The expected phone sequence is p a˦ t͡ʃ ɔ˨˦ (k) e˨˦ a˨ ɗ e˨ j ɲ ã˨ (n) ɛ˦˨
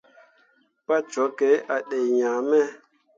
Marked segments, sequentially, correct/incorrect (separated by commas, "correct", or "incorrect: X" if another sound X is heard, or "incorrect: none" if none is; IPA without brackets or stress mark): correct, incorrect: m